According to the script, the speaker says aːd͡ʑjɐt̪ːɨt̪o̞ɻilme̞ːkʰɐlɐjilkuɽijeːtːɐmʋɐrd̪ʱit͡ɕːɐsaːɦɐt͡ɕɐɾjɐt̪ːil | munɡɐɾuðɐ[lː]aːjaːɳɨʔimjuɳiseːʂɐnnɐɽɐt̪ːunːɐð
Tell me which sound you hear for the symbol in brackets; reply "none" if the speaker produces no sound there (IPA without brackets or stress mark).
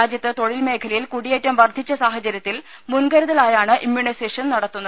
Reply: l